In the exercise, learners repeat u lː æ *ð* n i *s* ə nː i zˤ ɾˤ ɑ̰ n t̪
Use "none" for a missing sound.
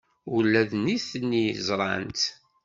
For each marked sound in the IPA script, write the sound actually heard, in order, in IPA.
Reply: ð, θ

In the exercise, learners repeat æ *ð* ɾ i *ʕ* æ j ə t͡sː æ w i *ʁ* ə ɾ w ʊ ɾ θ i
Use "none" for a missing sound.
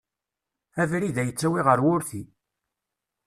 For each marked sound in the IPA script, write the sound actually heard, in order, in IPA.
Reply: v, ð, ʁ

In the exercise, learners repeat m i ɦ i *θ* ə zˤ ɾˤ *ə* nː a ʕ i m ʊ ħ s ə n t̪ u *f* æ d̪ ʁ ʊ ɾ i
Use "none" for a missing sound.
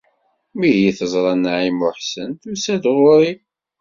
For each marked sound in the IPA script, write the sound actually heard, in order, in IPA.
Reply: θ, ɑ, s

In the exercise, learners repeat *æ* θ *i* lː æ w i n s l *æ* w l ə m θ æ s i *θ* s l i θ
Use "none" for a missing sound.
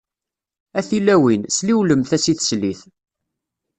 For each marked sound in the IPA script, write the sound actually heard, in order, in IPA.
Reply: æ, i, i, θ

